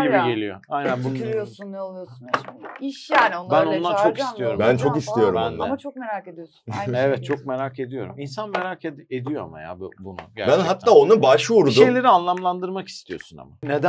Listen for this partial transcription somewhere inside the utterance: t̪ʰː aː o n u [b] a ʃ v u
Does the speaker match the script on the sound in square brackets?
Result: yes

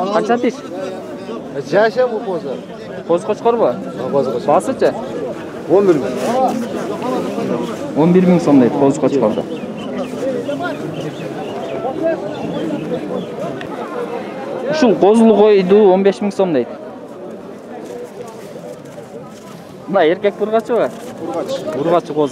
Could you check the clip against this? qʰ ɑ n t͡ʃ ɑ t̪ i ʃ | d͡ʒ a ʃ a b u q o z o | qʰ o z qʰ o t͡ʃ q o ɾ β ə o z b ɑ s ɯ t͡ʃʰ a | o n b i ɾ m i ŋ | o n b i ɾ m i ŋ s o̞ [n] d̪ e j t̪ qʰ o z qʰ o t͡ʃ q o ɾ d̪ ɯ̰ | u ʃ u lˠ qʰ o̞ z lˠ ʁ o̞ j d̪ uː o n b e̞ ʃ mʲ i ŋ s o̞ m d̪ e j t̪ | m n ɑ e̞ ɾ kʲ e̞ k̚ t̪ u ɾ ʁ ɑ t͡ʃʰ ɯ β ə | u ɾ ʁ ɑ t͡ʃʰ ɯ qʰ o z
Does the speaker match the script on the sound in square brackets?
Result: no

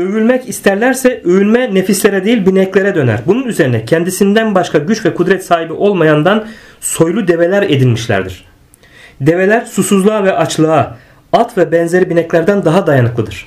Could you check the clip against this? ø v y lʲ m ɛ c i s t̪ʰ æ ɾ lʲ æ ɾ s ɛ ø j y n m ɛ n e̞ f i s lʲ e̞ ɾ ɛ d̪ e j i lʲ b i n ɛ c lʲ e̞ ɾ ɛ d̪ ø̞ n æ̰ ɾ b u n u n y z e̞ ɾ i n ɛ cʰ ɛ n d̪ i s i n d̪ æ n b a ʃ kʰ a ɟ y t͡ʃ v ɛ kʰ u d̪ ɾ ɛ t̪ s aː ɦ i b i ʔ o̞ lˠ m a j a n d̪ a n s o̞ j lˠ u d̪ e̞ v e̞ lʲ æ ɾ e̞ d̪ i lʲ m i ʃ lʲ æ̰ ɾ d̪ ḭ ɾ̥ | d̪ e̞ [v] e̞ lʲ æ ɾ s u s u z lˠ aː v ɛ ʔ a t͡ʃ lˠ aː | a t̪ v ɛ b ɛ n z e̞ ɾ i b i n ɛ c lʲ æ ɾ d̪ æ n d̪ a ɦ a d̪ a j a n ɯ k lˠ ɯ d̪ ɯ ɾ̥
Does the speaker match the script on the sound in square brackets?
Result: yes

